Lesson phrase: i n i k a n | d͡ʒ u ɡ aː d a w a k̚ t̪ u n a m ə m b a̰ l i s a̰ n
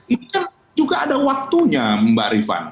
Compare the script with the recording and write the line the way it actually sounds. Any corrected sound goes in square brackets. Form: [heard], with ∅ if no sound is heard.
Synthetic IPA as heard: i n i k a n | d͡ʒ u ɡ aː d a w a k̚ t̪ u [ɲ] a m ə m b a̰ [ɾ] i [f] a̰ n